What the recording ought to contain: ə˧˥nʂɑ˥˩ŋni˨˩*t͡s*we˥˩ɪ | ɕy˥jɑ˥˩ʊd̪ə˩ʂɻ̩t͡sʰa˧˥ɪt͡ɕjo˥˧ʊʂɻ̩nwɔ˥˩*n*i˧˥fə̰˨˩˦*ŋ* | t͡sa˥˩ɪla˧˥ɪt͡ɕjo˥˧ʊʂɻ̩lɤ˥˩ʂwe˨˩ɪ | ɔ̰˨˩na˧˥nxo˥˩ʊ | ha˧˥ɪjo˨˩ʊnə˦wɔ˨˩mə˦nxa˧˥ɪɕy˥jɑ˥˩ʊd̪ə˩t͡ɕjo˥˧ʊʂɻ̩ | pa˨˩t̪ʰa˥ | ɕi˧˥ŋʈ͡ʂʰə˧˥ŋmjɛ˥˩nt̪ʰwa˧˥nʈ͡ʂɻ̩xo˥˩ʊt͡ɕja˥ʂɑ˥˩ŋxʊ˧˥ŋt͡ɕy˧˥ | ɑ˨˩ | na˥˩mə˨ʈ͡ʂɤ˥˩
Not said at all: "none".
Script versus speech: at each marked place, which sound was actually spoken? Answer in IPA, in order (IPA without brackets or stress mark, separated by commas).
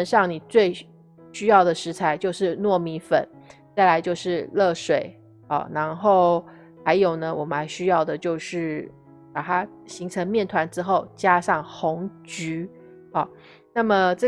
t͡s, m, n